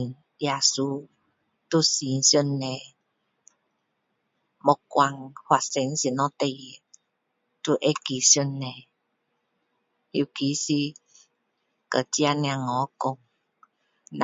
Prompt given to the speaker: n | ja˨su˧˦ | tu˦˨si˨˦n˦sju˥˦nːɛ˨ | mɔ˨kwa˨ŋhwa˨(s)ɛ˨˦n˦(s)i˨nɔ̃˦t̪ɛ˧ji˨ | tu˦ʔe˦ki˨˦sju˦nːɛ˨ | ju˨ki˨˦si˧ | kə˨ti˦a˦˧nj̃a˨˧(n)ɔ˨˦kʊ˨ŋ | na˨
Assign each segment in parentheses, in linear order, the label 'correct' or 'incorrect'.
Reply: correct, correct, incorrect

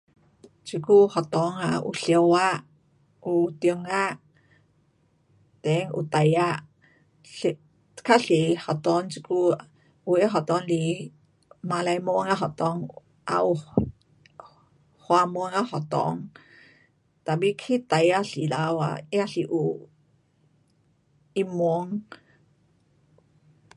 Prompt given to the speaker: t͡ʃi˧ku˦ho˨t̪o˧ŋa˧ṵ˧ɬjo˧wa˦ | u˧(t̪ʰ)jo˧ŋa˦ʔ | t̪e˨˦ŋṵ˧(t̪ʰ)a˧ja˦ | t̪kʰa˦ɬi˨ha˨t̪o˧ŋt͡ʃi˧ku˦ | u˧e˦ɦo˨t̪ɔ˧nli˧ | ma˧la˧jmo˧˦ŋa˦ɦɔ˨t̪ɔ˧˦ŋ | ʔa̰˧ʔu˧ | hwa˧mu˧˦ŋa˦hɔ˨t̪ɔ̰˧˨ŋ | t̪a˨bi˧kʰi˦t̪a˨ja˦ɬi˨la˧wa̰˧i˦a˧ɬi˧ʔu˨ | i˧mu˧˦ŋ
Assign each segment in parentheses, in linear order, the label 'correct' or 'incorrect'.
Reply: incorrect, incorrect

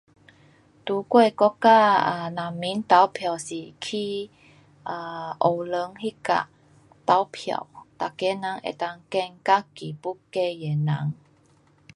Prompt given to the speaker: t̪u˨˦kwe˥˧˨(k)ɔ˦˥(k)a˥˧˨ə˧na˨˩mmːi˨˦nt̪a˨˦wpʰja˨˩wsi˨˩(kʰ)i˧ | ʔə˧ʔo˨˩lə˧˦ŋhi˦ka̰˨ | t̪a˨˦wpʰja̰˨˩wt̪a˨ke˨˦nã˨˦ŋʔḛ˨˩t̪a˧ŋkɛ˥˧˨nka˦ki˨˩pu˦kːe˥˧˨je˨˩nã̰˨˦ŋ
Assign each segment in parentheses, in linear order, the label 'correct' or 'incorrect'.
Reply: correct, correct, correct

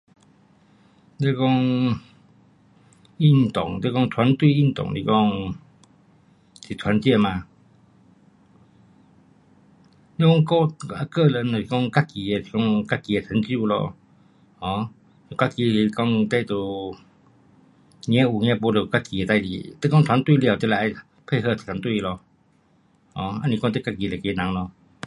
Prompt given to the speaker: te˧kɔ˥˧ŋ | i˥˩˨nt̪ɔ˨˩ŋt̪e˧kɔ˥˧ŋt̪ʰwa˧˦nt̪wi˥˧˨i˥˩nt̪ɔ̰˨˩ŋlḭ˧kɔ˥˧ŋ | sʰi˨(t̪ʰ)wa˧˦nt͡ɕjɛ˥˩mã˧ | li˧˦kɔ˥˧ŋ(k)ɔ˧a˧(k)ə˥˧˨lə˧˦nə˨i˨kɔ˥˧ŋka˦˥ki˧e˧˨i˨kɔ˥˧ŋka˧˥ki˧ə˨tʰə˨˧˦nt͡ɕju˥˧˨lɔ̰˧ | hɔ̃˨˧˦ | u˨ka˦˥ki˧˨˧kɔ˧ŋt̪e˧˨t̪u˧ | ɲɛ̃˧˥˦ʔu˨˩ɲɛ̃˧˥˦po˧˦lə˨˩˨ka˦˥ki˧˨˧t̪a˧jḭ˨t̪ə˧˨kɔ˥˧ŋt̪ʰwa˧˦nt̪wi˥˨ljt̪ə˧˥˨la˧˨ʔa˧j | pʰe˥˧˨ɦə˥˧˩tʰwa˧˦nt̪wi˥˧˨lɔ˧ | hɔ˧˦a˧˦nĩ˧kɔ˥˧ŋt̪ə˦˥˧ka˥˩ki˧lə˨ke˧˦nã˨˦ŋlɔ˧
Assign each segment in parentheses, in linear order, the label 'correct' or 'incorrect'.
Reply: correct, correct, correct

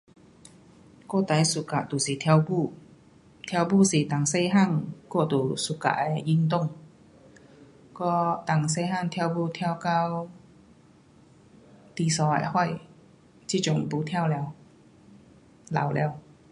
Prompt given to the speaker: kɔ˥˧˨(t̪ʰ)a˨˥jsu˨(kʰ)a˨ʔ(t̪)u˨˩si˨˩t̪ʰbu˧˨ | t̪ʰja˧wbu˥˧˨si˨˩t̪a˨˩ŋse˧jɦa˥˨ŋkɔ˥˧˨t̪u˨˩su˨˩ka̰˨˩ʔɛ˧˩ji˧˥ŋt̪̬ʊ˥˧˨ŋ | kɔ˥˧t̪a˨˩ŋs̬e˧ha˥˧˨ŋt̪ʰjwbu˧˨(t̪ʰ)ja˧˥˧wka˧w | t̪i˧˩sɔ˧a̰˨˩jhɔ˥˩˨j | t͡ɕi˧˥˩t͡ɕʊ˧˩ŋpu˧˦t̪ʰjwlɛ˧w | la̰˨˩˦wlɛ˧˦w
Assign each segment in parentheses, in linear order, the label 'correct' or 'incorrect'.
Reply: incorrect, incorrect, correct, correct

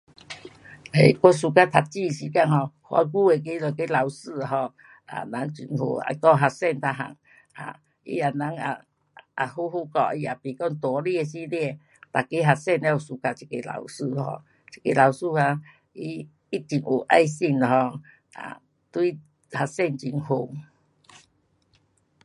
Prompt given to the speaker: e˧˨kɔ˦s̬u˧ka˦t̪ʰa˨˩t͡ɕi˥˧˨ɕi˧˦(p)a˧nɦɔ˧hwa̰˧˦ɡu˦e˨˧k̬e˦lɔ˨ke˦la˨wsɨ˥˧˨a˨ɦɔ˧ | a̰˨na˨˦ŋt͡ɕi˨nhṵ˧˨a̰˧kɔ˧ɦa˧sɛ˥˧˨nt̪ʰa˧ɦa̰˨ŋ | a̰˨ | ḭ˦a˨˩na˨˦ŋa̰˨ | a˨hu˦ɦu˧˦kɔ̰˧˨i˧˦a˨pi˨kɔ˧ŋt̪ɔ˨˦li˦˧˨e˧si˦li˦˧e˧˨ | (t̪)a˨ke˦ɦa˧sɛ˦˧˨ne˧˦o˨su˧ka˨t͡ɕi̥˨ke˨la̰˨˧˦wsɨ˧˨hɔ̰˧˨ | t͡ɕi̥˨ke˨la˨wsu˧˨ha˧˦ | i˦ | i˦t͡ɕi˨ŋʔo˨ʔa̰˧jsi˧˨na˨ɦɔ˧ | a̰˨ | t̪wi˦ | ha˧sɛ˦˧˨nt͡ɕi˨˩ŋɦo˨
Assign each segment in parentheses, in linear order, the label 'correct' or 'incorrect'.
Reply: incorrect, correct

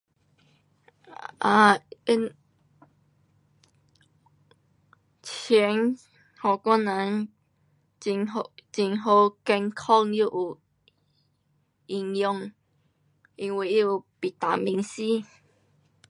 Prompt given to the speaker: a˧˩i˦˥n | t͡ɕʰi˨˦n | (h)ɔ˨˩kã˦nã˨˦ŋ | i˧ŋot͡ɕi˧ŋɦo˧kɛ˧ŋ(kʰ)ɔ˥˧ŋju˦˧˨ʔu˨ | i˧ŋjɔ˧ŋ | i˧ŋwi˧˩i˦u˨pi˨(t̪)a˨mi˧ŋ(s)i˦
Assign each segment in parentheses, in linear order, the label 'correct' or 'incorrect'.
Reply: correct, correct, correct, correct

